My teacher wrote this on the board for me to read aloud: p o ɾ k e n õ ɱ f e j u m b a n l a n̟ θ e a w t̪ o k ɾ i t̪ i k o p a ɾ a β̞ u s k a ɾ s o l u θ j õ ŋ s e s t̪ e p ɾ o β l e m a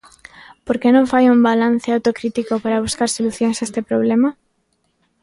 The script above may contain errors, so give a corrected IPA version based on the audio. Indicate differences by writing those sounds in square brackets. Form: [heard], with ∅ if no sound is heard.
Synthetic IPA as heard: p o ɾ k e n õ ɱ f [a] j u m b a [∅] l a n̟ θ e a w t̪ o k ɾ i t̪ i k o p a ɾ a β̞ u s k a ɾ s o l u θ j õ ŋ s e s t̪ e p ɾ o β l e m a